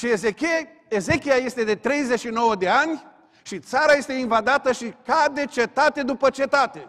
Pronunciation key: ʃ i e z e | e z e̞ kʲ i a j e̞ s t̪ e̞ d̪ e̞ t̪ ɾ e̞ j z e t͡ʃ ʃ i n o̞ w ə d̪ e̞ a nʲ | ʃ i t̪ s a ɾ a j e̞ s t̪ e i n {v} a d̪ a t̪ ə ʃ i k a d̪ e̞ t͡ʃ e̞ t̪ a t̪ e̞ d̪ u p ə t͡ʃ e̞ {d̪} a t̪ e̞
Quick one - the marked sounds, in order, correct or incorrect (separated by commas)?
correct, incorrect